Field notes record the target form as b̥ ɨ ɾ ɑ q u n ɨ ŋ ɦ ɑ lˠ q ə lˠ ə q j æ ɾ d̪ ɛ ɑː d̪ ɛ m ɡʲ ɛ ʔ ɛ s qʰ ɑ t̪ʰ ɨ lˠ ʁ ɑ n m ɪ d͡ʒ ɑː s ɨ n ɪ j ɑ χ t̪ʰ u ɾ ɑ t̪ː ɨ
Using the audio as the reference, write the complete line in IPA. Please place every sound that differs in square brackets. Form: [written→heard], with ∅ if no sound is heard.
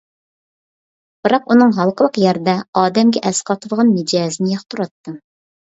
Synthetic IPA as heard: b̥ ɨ ɾ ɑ q u n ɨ ŋ ɦ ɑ lˠ q ə lˠ ə q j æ ɾ d̪ ɛ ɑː d̪ ɛ m ɡʲ ɛ ʔ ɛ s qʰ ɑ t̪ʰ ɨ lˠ ʁ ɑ n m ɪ d͡ʒ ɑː [s→z] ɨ n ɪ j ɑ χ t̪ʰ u ɾ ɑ t̪ː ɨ